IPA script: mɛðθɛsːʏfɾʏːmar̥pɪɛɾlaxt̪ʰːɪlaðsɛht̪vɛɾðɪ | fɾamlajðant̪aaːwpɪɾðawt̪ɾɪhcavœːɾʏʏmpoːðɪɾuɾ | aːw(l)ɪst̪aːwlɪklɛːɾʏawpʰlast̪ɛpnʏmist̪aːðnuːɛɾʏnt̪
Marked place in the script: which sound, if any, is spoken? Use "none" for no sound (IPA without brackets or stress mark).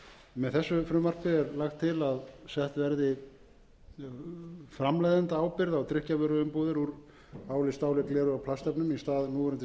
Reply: l